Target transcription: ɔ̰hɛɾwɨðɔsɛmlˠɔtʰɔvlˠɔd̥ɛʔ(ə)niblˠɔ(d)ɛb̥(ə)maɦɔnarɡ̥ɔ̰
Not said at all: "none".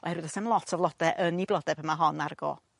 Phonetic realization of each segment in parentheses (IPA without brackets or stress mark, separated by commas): ə, d, ə